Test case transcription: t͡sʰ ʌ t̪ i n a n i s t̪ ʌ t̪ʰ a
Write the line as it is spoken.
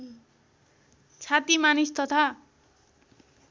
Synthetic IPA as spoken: t͡sʰ a t̪ i m a n i s t̪ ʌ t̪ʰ a